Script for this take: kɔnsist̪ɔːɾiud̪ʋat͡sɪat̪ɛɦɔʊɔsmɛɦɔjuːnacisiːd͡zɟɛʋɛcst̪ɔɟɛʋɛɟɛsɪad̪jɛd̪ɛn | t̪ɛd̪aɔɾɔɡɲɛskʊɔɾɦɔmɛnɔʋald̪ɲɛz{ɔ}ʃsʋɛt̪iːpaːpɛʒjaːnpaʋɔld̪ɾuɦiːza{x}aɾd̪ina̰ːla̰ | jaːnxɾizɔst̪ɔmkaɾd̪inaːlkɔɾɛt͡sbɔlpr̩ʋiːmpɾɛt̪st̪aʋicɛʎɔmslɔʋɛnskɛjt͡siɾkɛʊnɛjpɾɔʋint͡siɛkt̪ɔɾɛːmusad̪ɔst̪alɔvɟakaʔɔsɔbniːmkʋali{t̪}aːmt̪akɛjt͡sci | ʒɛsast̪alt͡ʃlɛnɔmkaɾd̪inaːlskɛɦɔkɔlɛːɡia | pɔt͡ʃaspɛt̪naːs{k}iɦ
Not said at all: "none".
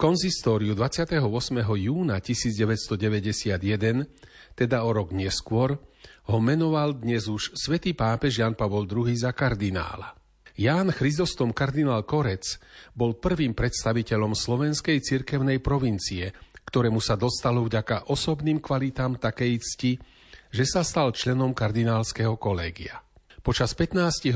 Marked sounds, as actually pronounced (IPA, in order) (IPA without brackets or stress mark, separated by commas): u, k, t̪, c